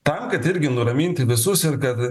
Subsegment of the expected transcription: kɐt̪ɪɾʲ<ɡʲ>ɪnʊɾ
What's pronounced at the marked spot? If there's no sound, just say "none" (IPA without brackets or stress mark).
ɡʲ